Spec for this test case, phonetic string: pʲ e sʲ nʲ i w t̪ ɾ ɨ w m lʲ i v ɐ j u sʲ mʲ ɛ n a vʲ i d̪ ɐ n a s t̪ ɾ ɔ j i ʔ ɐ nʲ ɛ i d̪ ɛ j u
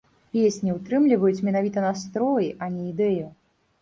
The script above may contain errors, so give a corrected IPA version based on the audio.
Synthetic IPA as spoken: pʲ e sʲ nʲ i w t̪ ɾ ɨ m lʲ i v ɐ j u t͡sʲ mʲ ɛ n a vʲ i t̪ ɐ n a s t̪ ɾ ɔ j i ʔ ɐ nʲ ɛ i d̪ ɛ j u